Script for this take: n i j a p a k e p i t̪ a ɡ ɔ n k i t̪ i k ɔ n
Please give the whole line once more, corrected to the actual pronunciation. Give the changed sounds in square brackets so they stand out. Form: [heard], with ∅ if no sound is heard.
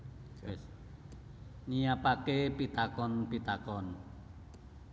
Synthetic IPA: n i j a p a k e p i t̪ a [k] ɔ n [p] i t̪ [a] k ɔ n